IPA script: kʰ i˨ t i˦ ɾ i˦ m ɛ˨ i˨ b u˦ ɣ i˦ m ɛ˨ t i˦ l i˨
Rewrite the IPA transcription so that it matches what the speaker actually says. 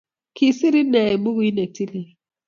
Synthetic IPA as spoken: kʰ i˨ s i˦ ɾ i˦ n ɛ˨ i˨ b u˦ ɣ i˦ n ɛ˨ t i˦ l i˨

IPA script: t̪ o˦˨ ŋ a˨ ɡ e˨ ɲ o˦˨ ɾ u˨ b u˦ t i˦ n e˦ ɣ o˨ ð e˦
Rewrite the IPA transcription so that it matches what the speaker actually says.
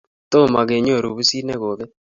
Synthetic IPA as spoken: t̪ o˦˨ m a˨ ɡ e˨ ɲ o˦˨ ɾ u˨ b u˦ s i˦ n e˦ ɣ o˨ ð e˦

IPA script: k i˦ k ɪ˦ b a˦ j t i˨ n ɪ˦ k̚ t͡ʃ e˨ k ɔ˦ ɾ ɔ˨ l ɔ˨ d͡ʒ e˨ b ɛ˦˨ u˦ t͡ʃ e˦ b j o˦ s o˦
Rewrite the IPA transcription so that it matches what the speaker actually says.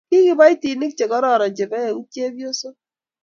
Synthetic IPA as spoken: k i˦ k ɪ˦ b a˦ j t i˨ n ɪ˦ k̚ t͡ʃ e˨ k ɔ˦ ɾ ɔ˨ ɾ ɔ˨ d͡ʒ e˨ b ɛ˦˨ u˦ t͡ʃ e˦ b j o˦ s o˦

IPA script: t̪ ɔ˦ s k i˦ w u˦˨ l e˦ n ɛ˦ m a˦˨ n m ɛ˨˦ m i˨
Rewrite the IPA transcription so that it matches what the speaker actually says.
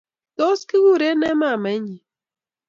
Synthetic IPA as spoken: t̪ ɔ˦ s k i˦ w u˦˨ ɾ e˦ n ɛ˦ m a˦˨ m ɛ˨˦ ɲ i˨

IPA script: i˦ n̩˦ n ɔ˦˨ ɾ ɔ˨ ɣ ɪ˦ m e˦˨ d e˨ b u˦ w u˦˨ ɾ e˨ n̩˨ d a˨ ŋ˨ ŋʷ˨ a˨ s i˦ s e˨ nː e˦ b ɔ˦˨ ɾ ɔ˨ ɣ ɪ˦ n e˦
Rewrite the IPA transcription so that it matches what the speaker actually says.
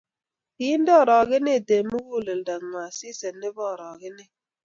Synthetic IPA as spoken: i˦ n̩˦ d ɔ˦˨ ɾ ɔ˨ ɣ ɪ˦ n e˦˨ d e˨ m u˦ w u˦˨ l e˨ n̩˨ d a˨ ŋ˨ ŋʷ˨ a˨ s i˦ s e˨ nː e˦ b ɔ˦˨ ɾ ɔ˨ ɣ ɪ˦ n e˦

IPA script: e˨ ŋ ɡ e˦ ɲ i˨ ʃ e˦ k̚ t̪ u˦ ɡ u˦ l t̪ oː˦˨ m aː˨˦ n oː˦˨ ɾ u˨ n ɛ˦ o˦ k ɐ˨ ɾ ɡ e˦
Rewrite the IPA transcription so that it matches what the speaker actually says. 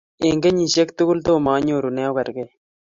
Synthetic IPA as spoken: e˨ ŋ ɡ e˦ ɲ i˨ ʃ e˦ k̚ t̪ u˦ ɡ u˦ l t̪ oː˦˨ m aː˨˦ ɲ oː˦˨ ɾ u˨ n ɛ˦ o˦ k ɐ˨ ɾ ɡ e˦

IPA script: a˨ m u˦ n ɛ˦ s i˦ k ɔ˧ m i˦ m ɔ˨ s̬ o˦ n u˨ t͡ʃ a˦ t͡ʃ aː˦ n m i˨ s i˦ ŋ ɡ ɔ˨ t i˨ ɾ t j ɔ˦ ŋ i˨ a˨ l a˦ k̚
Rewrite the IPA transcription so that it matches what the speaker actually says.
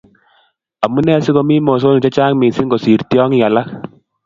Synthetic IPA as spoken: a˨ m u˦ n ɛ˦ s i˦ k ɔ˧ m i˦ m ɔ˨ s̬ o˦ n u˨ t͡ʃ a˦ t͡ʃ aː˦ ŋ m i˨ s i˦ ŋ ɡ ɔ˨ s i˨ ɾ t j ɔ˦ ŋ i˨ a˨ l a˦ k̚

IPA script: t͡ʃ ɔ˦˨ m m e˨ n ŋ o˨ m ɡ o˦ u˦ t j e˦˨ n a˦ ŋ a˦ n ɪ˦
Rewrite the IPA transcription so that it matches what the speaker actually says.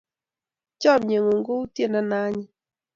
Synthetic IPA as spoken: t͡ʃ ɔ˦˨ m ɲ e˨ ŋ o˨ ŋ ɡ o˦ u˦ t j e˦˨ n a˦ n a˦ ɲ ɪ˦

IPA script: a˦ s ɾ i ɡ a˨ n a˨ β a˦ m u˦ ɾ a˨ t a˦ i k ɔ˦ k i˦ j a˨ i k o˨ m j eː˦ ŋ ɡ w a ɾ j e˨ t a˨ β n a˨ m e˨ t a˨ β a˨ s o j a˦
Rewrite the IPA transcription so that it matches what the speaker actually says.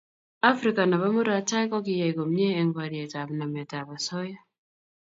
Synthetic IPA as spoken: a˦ f ɾ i k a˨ n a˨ β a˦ m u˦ ɾ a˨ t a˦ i k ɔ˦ k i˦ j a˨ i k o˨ m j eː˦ ŋ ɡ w a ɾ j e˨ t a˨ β n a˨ m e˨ t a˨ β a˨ s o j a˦

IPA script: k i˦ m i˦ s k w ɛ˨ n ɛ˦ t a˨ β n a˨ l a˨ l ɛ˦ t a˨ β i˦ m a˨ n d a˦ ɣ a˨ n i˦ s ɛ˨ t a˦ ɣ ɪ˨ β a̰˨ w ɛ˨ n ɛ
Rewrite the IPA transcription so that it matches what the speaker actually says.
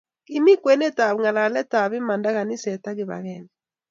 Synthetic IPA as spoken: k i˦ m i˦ k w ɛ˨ n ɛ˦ t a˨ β ŋ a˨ l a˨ l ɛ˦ t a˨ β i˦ m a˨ n d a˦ ɣ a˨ n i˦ s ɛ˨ t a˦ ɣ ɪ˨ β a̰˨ ɣ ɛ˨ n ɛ

